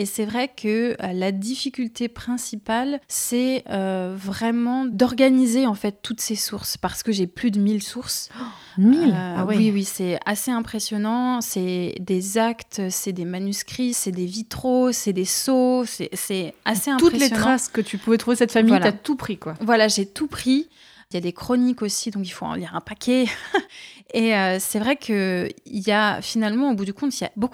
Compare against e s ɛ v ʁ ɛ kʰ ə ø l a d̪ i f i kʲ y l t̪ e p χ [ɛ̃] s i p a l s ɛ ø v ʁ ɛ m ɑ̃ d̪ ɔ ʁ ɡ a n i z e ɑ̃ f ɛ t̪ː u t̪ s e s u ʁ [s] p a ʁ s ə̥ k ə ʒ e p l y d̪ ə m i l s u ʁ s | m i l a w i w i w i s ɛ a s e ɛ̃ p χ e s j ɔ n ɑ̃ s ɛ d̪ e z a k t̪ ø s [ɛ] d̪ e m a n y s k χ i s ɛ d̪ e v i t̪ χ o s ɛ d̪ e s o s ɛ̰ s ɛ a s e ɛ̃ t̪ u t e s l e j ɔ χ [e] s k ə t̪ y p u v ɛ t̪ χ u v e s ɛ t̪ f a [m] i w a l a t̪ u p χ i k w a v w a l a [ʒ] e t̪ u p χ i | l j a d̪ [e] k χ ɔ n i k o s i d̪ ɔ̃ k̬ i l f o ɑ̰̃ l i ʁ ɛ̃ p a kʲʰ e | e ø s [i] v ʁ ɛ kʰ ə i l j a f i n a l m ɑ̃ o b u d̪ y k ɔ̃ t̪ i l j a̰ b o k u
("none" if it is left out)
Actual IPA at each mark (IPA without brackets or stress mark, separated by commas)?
ɛ̃, s, ɛ, a, m, ʒ, e, ɛ